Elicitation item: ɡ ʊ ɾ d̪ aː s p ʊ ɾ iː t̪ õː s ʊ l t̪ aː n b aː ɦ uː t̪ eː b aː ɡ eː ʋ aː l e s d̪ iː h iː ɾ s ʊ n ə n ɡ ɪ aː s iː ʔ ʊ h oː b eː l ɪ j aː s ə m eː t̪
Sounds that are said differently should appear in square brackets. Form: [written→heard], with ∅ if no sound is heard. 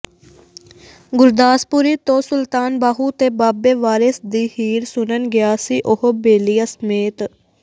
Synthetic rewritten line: ɡ ʊ ɾ d̪ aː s p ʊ ɾ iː t̪ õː s ʊ l t̪ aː n b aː ɦ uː t̪ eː b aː [ɡ→b] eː ʋ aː [l→ɾ] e s d̪ iː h iː ɾ s ʊ n ə n ɡ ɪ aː s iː ʔ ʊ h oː b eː l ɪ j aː s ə m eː t̪